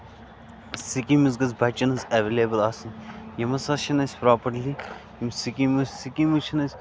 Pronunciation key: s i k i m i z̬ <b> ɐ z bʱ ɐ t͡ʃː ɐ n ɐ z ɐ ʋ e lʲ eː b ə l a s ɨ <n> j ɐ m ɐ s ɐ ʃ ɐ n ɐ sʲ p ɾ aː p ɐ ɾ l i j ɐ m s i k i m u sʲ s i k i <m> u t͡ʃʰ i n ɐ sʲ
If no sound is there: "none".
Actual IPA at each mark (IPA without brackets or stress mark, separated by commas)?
ɡ, n, m